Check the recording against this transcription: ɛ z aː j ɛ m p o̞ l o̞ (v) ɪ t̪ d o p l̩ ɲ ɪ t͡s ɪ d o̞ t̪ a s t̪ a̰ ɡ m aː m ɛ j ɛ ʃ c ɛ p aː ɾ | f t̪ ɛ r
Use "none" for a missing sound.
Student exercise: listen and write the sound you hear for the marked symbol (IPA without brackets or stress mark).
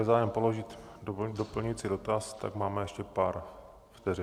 ʒ